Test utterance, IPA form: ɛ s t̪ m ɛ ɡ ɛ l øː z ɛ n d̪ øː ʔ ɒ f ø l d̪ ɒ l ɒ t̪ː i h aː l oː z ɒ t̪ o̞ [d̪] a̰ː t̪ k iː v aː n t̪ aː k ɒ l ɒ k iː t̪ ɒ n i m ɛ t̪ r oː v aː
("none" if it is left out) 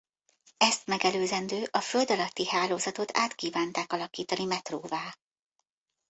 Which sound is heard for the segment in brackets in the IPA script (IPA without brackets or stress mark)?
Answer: t̪